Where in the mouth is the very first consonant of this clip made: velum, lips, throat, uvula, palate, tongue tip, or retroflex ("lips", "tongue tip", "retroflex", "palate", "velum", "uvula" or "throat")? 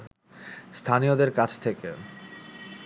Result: tongue tip